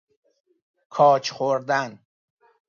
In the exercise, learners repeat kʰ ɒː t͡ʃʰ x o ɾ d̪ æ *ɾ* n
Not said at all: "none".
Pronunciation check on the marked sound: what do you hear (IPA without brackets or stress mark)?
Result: none